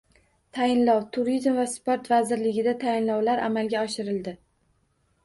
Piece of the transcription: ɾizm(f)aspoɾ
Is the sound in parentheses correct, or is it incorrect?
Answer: incorrect: v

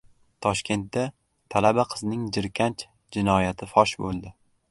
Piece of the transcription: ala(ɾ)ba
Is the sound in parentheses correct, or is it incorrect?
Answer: incorrect: none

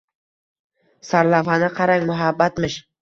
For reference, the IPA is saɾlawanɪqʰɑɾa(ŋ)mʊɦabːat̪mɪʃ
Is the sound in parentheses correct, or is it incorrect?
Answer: correct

